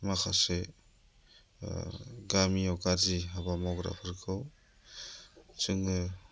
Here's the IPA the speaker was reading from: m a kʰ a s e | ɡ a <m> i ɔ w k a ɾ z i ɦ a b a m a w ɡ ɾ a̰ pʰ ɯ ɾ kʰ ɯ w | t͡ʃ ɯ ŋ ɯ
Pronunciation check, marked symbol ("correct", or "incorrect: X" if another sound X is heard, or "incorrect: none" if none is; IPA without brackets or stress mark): correct